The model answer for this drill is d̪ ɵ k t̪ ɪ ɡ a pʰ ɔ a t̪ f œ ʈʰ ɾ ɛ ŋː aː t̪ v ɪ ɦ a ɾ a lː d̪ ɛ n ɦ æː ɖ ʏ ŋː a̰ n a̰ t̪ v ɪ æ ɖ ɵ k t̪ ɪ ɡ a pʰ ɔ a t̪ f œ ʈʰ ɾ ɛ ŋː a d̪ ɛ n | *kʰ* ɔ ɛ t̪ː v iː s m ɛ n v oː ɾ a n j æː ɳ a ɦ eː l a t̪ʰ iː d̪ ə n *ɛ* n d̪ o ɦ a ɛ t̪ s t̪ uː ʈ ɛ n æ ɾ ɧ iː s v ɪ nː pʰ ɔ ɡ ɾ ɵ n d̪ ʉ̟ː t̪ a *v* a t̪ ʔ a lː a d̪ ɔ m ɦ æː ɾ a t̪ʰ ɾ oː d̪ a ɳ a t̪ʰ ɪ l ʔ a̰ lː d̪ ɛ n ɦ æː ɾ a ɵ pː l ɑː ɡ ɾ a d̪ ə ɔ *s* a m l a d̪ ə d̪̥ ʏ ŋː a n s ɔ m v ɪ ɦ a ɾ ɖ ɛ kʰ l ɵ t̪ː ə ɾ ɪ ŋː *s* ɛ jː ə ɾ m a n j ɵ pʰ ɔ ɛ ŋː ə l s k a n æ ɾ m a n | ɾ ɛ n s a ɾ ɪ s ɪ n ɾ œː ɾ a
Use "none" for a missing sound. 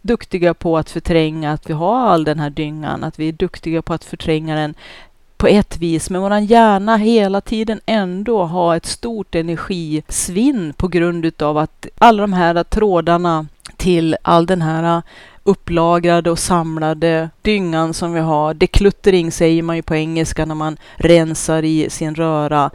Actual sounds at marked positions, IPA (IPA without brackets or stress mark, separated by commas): pʰ, ɛ, v, s, s